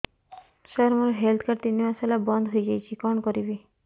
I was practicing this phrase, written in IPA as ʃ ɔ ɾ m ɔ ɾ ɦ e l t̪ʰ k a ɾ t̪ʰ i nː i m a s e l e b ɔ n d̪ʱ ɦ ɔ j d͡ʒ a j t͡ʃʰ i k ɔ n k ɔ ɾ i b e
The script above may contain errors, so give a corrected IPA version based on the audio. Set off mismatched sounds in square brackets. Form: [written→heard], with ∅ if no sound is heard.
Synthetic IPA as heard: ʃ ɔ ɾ m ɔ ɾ ɦ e l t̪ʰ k a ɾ [t̪ʰ→t̪] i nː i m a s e l [e→a] b ɔ n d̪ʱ ɦ [ɔ→o] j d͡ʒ a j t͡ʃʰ i k ɔ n k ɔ ɾ i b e